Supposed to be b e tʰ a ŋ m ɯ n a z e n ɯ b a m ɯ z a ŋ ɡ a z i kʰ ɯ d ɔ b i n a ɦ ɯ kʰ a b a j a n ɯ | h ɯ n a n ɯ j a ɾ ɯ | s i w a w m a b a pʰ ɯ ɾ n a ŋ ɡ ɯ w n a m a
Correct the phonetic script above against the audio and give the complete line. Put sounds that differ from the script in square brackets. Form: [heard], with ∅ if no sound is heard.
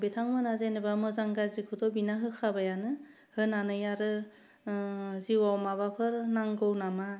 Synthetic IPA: b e tʰ a ŋ m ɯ n a z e n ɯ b a m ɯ z a ŋ ɡ a z i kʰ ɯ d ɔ b i n a ɦ ɯ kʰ a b a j a n ɯ | h ɯ n a n ɯ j a ɾ ɯ | [z] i w a w m a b a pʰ ɯ ɾ n a ŋ ɡ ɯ w n a m a